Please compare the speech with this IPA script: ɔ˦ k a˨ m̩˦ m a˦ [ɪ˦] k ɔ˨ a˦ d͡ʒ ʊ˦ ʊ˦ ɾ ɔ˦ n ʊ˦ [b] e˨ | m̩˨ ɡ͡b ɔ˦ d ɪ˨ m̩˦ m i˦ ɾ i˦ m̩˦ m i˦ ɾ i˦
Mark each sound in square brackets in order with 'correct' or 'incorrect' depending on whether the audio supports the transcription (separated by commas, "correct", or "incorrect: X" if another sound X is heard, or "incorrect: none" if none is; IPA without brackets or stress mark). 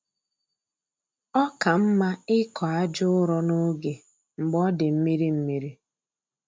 correct, incorrect: ɡ